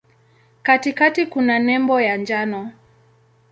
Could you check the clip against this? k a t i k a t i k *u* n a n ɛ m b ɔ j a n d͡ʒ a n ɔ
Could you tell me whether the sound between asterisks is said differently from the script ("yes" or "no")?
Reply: no